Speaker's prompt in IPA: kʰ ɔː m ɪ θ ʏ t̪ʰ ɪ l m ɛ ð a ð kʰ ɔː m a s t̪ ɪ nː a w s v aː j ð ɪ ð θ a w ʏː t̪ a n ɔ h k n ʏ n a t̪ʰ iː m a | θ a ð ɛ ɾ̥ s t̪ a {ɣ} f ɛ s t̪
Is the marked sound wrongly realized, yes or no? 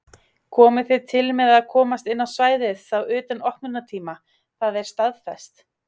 yes